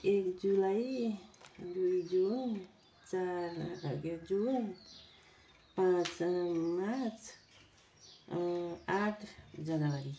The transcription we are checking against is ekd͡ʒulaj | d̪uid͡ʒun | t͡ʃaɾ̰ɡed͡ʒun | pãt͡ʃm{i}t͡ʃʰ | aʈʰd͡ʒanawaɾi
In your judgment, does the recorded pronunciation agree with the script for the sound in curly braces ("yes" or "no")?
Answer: no